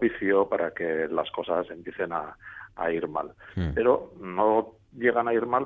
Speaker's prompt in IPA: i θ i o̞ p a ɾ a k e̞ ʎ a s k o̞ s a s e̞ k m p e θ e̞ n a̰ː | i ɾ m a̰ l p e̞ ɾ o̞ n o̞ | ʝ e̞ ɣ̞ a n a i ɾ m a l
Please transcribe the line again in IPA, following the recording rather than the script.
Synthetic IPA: i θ i o̞ p a ɾ a k e̞ l a s k o̞ s a s e̞ m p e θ e̞ n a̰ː | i ɾ m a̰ l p e̞ ɾ o̞ n o̞ | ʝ e̞ ɣ̞ a n a i ɾ m a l